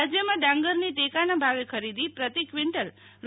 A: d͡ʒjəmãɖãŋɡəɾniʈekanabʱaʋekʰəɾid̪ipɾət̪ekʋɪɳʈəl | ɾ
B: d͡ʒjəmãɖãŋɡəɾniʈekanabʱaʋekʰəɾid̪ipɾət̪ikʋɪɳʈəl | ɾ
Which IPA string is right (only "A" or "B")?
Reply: B